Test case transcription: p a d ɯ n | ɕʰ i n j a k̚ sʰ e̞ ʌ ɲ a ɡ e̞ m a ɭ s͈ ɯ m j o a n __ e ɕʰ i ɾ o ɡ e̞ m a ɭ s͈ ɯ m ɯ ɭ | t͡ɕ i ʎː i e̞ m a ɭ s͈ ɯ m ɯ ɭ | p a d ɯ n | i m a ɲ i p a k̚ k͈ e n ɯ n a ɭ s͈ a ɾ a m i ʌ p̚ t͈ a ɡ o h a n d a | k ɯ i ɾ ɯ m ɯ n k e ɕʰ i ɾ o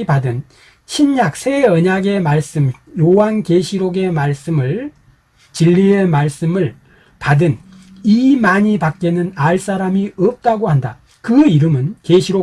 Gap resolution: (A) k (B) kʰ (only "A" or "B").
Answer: A